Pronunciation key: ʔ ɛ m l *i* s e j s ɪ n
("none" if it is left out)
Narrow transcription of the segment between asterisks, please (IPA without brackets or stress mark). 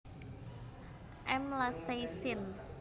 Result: a